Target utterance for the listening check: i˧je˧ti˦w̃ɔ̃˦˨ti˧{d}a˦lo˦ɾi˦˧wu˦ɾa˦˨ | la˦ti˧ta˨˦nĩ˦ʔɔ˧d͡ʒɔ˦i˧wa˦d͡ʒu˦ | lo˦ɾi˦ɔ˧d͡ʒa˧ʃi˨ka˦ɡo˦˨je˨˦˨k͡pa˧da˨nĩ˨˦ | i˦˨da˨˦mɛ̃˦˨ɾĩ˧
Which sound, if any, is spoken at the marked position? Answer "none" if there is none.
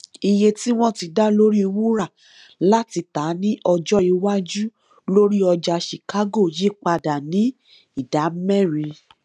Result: d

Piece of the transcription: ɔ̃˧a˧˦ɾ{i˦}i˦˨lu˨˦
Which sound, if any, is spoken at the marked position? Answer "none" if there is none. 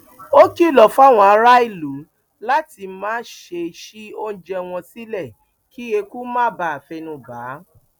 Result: a˦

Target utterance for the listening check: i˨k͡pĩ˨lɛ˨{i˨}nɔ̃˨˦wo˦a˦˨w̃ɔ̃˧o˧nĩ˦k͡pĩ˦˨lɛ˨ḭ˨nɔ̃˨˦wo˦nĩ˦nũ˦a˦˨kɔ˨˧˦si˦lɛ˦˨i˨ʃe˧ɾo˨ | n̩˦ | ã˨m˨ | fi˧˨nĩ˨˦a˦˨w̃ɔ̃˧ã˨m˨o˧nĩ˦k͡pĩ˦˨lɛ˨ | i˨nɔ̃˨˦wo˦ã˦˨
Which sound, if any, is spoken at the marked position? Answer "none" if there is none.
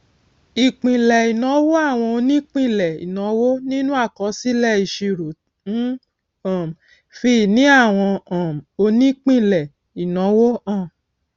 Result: i˨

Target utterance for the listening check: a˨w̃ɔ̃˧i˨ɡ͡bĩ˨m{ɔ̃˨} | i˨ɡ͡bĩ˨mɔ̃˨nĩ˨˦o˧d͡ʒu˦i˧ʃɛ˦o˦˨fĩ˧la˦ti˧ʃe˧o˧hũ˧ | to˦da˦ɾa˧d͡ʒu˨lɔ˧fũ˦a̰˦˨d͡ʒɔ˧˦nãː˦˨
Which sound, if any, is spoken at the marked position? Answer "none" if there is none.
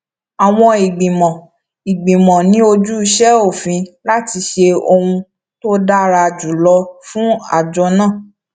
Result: ɔ̃˨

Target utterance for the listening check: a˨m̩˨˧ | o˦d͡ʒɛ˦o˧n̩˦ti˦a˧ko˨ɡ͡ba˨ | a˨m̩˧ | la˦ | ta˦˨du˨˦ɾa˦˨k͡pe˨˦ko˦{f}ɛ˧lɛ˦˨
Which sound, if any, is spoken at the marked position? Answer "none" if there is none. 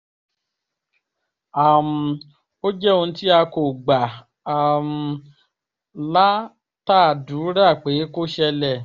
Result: ʃ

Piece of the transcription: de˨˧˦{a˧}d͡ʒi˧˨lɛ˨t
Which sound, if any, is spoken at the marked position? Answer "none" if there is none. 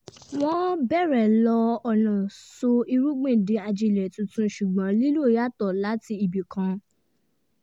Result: a˧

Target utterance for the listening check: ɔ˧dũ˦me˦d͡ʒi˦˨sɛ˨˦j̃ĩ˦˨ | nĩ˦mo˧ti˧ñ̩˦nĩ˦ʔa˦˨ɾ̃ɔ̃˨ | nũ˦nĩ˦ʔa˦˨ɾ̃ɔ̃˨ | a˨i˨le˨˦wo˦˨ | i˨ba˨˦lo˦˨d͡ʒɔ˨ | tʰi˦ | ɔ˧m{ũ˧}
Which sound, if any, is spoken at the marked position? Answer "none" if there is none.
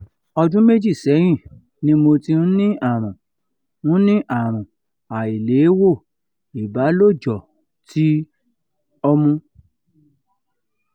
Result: ũ˧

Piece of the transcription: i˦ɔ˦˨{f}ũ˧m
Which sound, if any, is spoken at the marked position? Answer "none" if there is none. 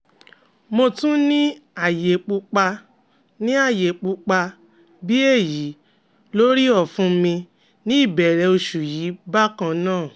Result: f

